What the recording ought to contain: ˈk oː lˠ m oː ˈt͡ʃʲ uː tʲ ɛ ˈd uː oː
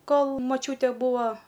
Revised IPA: ˈk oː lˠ m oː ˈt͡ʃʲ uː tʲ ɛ ˈb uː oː